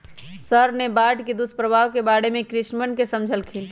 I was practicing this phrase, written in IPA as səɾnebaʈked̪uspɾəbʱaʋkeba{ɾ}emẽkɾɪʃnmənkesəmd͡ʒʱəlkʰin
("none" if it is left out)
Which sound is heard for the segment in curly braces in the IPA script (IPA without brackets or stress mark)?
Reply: ɽ